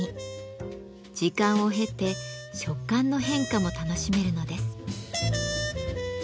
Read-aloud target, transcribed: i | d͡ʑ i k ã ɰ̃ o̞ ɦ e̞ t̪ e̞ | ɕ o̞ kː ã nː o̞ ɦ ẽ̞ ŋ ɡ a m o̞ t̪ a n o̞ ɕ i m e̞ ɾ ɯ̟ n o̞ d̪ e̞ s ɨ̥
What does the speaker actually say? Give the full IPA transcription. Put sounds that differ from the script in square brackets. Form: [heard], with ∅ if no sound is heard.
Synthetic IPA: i | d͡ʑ i k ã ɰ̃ o̞ ɦ e̞ t̪ e̞ | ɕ o̞ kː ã nː o̞ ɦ ẽ̞ ŋ [k] a m o̞ t̪ a n o̞ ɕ i m e̞ ɾ ɯ̟ n o̞ d̪ e̞ s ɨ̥